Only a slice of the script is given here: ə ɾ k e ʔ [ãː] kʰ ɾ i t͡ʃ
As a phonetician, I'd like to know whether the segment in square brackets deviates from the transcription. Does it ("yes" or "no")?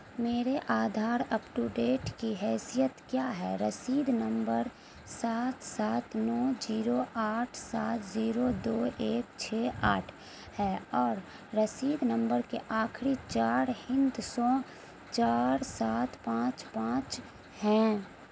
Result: yes